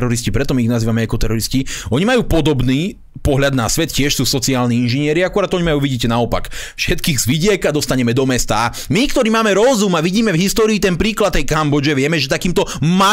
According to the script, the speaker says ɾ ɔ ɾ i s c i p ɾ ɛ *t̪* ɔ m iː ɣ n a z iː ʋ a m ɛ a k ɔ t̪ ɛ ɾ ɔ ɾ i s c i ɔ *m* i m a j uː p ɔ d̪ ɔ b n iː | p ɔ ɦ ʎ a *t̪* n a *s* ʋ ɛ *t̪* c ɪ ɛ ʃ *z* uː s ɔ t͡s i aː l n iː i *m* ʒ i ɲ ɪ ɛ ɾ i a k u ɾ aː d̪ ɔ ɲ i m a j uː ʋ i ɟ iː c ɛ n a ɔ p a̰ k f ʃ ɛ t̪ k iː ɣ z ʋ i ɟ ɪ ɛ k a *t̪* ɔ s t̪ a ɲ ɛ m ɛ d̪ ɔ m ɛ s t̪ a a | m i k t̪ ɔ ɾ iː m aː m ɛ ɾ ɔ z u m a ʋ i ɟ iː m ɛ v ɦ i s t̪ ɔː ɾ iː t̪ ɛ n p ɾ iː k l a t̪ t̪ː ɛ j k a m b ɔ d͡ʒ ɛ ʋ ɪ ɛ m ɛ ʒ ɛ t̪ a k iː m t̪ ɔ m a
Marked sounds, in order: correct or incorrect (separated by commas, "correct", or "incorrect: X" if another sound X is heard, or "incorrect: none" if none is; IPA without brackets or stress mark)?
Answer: correct, incorrect: ɲ, incorrect: d̪, correct, correct, incorrect: s, incorrect: n, incorrect: d̪